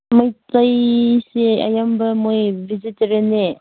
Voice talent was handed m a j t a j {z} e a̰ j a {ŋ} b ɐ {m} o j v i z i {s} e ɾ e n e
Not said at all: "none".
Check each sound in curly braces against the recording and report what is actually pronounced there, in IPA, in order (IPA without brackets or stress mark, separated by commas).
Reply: s, m, m, t